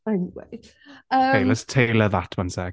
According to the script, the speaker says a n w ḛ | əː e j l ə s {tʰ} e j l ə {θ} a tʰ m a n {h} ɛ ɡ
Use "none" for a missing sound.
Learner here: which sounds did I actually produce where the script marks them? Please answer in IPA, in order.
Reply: tʰ, ð, s

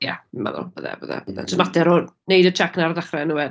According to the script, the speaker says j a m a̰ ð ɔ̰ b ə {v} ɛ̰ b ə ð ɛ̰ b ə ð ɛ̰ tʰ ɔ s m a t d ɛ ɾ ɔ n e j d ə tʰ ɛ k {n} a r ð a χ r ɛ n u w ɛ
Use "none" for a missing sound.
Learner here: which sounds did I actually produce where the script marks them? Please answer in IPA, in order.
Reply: ð, n

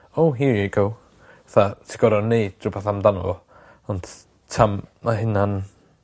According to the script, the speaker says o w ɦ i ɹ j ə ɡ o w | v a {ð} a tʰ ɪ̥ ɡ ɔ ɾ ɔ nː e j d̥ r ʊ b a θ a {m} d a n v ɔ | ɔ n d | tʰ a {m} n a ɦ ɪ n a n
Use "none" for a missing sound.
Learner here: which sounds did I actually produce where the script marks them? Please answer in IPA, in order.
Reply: θ, m, m

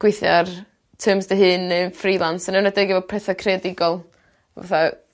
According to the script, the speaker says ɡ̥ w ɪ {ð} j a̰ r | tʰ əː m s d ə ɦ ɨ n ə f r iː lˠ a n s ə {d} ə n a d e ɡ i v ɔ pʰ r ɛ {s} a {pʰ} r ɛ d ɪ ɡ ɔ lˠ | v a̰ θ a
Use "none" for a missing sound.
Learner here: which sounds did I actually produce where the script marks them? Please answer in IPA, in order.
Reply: θ, n, θ, kʰ

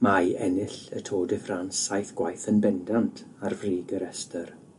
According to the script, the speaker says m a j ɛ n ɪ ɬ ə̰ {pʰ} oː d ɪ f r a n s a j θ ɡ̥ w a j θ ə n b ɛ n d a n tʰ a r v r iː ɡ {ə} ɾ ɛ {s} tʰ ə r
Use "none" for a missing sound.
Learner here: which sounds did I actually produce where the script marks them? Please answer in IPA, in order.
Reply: tʰ, ə, s

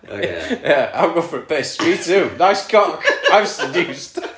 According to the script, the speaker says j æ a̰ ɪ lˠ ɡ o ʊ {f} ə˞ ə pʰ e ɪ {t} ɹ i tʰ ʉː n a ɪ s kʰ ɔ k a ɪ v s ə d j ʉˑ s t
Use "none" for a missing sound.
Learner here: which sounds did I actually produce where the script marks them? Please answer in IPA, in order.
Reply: f, s

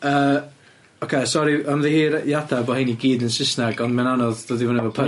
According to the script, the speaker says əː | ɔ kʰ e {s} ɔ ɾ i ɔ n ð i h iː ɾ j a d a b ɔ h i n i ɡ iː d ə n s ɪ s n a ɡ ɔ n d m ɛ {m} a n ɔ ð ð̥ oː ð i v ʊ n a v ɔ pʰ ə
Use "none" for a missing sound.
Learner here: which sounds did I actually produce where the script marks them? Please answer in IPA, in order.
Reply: s, n

